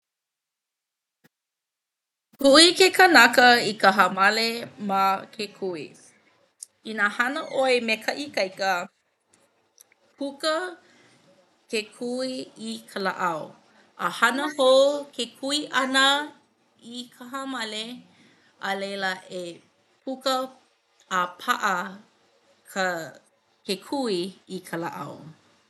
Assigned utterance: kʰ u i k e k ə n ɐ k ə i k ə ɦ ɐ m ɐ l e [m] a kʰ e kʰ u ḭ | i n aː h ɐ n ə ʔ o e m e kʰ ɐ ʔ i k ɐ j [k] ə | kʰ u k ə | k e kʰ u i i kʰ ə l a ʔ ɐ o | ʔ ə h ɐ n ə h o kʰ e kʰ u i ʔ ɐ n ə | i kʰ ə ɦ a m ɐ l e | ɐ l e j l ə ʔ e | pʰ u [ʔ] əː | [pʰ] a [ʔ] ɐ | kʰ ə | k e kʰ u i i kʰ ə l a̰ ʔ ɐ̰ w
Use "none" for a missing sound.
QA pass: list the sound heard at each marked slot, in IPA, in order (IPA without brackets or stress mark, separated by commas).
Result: m, k, k, pʰ, ʔ